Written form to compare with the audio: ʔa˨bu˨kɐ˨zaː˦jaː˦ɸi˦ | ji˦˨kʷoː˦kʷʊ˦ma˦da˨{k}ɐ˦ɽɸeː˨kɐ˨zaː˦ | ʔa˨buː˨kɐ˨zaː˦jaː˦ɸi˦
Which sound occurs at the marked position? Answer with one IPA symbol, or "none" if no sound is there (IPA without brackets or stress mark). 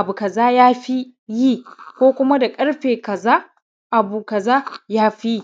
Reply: kʼ